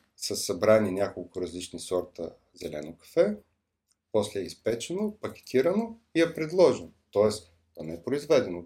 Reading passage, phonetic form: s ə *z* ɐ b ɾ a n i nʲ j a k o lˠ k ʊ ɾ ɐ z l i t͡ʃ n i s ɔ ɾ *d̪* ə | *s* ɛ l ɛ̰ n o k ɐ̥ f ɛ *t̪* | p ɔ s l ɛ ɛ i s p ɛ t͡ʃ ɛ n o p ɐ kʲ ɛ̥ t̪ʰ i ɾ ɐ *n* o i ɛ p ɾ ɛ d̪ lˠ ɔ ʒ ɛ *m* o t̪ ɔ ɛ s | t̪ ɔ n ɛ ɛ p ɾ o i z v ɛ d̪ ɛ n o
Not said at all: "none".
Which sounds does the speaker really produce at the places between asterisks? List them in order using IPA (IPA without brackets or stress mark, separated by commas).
s, t̪, z, none, n, n